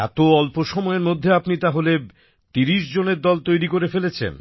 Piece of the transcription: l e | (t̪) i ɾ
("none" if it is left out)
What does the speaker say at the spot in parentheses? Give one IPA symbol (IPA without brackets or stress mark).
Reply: t̪